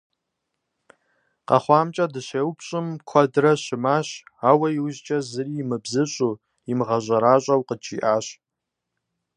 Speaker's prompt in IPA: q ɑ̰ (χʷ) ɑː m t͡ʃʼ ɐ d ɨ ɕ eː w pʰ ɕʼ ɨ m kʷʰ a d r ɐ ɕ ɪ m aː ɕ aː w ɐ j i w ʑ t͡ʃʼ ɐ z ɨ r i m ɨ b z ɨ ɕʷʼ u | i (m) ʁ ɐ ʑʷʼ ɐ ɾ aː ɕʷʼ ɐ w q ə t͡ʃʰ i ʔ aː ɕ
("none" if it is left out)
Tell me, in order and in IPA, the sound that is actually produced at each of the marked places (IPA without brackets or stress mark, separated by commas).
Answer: χʷ, m